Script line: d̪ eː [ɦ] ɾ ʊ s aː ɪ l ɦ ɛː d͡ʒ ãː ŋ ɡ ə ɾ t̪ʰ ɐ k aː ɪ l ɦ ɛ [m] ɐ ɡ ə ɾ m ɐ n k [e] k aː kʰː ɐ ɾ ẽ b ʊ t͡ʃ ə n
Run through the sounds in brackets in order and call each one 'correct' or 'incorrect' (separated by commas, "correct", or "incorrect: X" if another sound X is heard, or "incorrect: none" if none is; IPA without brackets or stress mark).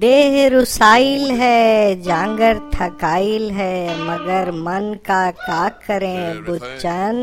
correct, correct, incorrect: a